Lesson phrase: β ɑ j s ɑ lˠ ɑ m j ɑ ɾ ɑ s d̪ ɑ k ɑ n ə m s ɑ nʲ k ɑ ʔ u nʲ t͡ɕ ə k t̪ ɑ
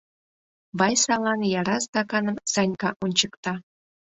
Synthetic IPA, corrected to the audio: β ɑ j s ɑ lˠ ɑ n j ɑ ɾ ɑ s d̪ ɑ k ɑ n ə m s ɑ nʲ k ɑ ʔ u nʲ t͡ɕ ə k t̪ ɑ